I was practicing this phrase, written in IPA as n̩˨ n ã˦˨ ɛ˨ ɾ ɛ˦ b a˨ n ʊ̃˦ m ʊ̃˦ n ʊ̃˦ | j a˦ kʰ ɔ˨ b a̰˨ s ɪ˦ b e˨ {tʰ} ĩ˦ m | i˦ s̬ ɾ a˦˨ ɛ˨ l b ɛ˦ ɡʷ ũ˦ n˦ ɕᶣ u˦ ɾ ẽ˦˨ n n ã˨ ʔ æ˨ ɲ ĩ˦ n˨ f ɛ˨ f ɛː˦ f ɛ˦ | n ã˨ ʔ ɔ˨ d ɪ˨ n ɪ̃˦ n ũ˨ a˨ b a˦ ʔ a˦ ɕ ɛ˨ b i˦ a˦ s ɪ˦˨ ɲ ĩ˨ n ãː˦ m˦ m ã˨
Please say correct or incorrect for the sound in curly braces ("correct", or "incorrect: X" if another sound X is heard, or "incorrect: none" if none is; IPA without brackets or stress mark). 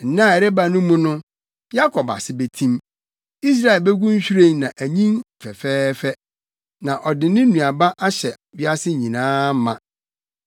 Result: correct